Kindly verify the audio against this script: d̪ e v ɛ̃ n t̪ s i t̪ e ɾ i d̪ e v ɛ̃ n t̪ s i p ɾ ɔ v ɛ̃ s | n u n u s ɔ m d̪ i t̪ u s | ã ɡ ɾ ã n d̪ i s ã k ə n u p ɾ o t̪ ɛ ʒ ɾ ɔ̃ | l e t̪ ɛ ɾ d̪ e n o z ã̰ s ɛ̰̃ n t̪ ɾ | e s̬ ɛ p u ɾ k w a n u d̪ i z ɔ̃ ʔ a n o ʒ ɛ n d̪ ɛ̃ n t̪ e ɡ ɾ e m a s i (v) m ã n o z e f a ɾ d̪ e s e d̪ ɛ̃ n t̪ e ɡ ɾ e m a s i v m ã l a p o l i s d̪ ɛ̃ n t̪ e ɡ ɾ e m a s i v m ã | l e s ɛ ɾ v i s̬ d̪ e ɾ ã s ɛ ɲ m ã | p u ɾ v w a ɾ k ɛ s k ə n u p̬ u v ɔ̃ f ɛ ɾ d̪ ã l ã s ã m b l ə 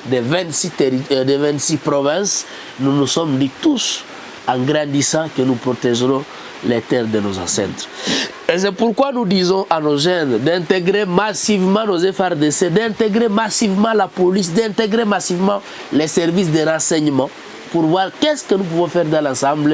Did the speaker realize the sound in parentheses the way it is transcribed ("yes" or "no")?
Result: yes